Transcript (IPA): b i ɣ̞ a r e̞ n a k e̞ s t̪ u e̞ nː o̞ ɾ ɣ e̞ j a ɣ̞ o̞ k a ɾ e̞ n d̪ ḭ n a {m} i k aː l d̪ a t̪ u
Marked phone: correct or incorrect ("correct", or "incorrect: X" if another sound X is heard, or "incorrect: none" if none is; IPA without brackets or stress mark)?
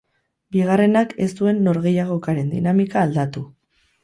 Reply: correct